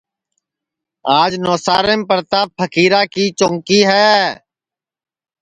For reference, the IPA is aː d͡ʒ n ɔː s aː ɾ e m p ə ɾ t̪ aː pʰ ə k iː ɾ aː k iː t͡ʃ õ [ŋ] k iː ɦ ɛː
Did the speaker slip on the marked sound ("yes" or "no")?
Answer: no